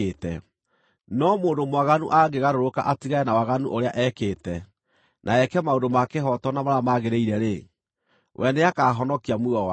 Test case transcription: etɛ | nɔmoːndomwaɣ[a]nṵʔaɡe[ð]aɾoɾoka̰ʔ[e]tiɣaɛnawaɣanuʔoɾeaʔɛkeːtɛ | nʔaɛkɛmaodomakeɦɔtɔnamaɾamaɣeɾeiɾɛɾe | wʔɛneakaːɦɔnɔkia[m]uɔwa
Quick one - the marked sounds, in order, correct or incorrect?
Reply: correct, incorrect: ɣ, incorrect: a, correct

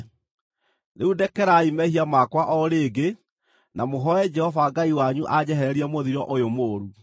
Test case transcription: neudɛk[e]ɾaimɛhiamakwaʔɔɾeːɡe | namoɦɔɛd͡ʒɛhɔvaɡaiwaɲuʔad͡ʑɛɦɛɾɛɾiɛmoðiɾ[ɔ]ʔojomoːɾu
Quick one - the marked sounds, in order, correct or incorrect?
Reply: incorrect: ɛ, correct

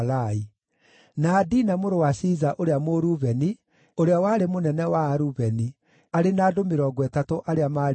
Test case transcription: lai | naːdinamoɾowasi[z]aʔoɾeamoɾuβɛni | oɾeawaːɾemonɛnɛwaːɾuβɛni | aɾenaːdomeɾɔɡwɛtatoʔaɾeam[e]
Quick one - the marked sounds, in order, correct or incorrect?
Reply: correct, incorrect: a

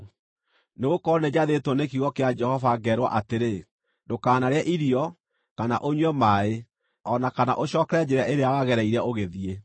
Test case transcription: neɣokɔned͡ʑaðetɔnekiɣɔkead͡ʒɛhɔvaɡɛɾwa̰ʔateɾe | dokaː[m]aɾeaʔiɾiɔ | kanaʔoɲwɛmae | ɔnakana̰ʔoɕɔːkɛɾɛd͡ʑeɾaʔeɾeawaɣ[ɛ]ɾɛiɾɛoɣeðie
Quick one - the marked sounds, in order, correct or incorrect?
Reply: incorrect: n, correct

